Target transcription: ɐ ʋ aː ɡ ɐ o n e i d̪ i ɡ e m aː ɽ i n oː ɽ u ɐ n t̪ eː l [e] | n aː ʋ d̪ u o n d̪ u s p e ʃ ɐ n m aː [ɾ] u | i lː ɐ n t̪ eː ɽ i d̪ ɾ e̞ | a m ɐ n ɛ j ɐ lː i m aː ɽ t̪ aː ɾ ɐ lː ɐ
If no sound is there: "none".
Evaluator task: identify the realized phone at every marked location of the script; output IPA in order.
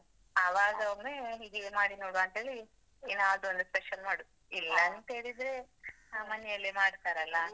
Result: i, ɽ

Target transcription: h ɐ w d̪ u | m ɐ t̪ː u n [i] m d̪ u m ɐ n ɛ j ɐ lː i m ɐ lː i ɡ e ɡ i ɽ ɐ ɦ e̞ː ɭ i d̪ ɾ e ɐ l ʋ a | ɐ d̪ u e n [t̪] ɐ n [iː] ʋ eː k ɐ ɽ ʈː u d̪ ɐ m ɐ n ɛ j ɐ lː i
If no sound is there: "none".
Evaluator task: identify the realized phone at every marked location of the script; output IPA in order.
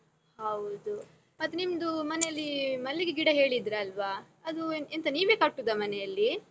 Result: i, t̪, iː

